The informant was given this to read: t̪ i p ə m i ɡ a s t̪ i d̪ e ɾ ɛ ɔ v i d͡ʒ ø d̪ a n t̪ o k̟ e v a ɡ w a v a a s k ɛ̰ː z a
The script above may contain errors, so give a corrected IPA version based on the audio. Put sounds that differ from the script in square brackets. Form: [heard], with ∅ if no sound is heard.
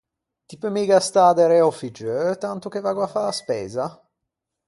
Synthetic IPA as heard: t̪ i p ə m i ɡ a s t̪ [a] d̪ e ɾ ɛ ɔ [f] i d͡ʒ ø [t̪] a n t̪ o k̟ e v a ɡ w a [f] a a s [p] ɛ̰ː z a